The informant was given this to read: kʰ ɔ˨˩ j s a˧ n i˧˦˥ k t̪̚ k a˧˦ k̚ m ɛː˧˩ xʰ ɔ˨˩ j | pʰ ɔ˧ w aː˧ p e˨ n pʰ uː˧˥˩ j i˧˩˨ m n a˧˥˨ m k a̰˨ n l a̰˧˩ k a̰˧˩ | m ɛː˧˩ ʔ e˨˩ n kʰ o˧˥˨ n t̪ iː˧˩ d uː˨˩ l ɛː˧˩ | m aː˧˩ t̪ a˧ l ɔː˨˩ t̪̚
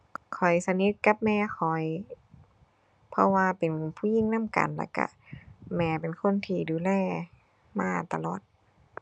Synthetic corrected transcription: kʰ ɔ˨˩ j s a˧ n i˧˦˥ t̪̚ k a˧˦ p̚ m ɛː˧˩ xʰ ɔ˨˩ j | pʰ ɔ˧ w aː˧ p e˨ n pʰ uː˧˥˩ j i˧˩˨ ŋ n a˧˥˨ m k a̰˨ n l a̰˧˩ k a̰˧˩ | m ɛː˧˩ p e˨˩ n kʰ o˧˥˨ n t̪ʰ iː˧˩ d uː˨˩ l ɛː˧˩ | m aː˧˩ t̪ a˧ l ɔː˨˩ t̪̚